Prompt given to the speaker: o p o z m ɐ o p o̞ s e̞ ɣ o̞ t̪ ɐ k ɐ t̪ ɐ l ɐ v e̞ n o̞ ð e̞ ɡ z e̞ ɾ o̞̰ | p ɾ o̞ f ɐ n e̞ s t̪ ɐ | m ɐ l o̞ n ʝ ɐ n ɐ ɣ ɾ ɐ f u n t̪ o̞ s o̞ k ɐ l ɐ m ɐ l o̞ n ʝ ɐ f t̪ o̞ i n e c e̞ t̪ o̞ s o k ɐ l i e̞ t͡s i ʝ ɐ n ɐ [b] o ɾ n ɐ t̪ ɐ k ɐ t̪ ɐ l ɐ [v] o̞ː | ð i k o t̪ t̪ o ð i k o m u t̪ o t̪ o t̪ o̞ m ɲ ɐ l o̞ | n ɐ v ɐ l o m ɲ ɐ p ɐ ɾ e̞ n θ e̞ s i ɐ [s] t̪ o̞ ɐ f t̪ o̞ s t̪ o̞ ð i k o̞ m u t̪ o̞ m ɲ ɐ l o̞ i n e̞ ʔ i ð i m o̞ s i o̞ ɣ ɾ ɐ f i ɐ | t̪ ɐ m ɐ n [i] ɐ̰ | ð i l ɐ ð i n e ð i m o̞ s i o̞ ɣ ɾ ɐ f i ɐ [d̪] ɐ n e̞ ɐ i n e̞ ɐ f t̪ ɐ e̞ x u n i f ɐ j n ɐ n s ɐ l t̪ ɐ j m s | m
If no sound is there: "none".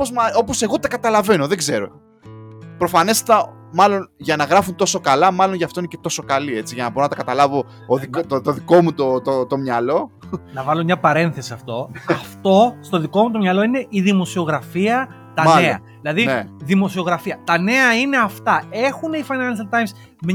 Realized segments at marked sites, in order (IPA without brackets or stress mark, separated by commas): b, v, f, e, t̪